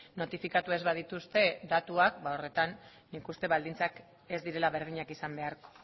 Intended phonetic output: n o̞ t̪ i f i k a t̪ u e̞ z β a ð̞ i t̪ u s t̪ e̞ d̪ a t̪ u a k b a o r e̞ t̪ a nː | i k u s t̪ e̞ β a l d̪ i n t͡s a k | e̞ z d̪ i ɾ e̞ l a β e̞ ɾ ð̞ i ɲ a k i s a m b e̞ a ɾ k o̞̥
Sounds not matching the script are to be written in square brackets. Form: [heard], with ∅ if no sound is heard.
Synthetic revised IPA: n o̞ t̪ i f i k a t̪ u e̞ z β a ð̞ i t̪ u s t̪ e̞ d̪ a t̪ u a k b a o r e̞ t̪ a nː | i k u s t̪ e̞ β a l d̪ i n t͡s a k | e̞ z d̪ i ɾ e̞ l a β e̞ ɾ ð̞ i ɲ a k i s a m b e̞ a ɾ k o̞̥